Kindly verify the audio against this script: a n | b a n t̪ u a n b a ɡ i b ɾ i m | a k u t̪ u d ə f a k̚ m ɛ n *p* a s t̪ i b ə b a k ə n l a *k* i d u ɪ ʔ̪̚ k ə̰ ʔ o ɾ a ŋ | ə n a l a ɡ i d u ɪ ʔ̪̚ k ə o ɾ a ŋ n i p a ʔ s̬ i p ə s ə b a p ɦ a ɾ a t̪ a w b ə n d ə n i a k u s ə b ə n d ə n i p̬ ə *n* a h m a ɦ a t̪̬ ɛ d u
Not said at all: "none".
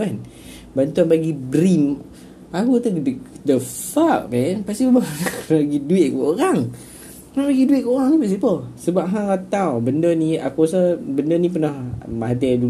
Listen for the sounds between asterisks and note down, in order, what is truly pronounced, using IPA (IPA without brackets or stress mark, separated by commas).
p, ɡ, n